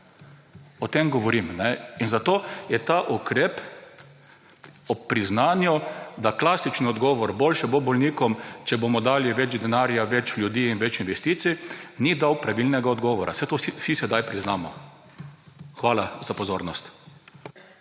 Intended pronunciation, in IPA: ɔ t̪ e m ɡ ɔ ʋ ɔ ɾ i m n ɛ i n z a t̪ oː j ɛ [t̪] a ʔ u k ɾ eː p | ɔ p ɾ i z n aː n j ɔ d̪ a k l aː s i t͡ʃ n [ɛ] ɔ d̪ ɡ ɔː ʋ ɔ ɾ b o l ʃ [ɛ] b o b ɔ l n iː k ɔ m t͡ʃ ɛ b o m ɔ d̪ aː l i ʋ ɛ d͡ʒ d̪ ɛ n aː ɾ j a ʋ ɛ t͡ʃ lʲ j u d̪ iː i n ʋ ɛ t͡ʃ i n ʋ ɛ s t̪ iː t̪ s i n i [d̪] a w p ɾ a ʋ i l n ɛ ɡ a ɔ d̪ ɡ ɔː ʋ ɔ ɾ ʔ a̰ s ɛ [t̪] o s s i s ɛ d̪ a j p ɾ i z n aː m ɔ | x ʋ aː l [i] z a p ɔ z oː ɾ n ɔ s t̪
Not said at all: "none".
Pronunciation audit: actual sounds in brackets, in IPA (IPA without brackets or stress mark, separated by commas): t̪, i, ɛ, d̪, t̪, a